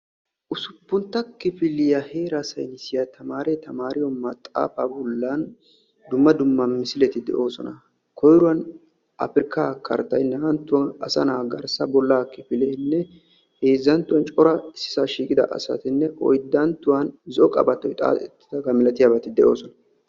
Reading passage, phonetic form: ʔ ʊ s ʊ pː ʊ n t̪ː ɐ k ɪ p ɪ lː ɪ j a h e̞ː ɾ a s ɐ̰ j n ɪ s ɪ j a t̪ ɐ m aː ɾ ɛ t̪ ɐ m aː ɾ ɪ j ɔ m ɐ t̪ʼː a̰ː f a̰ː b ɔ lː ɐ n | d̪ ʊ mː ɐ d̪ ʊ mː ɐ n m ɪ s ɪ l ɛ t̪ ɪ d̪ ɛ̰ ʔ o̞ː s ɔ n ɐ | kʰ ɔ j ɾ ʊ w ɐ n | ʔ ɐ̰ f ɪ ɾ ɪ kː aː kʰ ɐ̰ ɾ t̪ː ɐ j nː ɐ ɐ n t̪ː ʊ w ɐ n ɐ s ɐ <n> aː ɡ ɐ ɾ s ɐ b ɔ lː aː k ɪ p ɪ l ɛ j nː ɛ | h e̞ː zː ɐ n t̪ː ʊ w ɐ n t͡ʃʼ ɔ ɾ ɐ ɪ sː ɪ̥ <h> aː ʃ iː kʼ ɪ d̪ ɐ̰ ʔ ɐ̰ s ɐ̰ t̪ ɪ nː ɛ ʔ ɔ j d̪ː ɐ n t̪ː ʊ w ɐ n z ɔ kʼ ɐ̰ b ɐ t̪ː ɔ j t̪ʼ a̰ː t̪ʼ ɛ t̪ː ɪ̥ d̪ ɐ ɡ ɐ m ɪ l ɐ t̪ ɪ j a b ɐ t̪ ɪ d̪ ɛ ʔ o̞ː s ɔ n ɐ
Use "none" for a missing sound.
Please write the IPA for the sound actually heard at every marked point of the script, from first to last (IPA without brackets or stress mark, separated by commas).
n, s